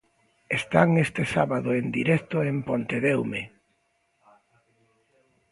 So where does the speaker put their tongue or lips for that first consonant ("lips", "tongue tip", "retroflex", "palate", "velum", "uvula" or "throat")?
tongue tip